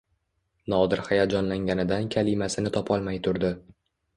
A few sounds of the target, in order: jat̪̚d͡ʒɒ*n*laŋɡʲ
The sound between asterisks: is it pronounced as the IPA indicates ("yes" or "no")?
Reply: yes